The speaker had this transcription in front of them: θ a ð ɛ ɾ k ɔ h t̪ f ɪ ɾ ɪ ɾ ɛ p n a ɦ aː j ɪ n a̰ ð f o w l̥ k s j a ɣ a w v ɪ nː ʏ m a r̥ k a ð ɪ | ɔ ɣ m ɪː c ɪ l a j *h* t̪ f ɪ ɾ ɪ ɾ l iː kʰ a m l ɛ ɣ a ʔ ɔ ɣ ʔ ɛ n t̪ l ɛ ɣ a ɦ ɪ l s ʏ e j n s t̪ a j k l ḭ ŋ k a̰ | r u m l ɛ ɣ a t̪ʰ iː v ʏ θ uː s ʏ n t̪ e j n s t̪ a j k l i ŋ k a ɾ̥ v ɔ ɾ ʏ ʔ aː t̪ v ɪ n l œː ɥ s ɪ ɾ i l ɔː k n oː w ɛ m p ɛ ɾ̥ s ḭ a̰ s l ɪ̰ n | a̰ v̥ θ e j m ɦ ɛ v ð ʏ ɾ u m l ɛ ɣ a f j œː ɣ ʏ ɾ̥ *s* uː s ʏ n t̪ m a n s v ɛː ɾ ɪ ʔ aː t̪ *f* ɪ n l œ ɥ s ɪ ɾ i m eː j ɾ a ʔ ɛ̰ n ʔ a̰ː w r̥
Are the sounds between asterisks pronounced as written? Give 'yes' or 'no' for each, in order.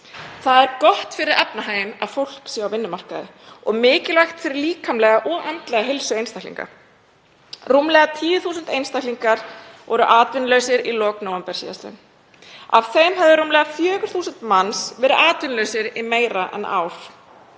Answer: no, no, no

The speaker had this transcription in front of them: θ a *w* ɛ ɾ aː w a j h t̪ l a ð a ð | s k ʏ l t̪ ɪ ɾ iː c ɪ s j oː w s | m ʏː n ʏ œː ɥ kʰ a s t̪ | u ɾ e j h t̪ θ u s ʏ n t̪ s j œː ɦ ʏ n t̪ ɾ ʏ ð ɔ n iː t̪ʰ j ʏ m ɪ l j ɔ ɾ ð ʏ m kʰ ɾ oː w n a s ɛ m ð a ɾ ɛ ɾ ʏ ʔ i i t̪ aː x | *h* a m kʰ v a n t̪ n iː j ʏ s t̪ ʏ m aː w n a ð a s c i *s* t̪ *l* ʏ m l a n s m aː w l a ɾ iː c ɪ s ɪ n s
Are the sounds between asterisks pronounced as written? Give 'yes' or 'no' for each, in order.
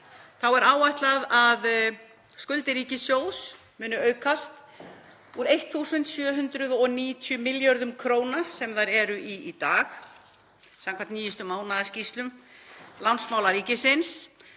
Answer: yes, no, yes, yes

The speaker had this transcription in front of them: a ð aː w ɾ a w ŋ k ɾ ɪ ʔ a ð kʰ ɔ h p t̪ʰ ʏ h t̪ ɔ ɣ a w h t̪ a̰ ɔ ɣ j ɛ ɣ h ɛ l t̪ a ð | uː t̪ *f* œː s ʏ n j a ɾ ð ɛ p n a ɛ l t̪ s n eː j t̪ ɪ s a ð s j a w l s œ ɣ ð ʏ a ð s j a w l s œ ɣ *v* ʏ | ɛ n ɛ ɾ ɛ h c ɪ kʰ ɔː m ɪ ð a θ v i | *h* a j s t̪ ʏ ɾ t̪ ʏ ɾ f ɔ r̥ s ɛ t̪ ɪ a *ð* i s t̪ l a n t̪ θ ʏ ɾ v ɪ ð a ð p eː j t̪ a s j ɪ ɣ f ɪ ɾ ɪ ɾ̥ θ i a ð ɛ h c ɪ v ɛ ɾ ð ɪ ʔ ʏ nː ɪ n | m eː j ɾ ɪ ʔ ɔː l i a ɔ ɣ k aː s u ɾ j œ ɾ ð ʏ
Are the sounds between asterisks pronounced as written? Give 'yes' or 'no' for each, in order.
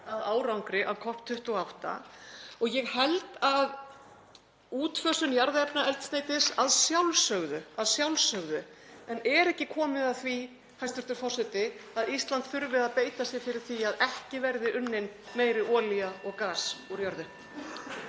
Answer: yes, no, yes, yes

